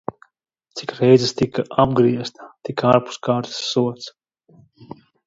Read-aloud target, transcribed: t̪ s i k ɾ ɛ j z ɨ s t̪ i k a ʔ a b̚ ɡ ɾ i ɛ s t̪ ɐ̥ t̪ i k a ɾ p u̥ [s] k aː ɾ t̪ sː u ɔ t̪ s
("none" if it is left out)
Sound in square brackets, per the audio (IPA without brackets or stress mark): s